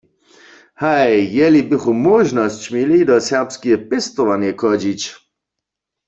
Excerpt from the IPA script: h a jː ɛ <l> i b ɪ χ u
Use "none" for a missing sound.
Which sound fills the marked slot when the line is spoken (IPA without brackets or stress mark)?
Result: l